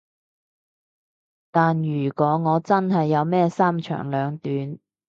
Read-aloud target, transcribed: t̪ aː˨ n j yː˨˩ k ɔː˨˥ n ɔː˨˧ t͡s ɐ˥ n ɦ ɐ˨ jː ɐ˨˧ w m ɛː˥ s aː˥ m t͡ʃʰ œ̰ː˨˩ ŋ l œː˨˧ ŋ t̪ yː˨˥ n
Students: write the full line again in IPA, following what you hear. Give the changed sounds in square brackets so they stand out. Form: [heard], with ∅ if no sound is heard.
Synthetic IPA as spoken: t̪ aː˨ n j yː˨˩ k ɔː˨˥ [ŋ] ɔː˨˧ t͡s ɐ˥ n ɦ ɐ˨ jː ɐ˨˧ w m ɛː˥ s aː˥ m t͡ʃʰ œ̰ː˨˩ ŋ l œː˨˧ ŋ t̪ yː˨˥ n